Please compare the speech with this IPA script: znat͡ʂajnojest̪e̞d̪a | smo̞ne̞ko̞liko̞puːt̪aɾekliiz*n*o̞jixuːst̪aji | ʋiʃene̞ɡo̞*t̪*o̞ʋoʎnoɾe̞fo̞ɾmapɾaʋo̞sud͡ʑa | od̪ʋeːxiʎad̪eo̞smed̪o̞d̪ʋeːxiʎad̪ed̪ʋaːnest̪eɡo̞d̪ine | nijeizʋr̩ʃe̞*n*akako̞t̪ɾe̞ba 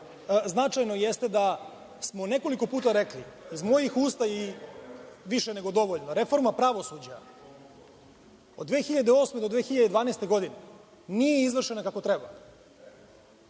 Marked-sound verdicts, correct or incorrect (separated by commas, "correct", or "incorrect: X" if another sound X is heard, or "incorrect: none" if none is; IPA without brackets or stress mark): incorrect: m, incorrect: d̪, correct